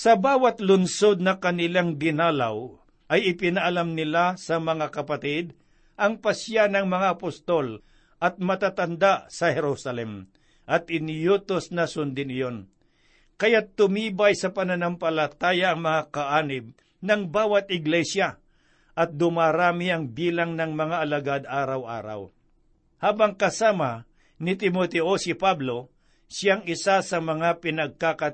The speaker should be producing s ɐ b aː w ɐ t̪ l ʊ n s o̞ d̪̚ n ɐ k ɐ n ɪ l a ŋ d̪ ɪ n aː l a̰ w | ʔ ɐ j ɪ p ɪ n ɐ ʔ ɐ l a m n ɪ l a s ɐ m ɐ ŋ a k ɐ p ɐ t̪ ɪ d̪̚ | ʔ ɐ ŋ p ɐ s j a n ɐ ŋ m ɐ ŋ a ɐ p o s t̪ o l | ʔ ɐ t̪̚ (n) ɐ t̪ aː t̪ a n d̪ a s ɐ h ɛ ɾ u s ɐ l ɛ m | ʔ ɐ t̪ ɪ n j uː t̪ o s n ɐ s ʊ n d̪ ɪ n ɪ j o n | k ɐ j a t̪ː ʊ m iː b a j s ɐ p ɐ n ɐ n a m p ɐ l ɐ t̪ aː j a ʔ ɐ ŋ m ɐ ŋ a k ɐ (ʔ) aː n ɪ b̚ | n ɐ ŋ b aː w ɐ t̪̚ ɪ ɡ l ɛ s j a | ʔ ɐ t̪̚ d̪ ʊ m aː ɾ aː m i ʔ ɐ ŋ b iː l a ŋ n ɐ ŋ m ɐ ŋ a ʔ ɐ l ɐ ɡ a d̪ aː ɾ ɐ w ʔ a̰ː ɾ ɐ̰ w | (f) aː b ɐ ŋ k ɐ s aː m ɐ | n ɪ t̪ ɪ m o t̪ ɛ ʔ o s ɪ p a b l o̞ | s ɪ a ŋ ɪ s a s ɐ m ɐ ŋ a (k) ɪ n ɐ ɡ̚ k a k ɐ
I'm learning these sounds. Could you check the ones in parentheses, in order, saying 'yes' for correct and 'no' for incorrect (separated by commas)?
no, yes, no, no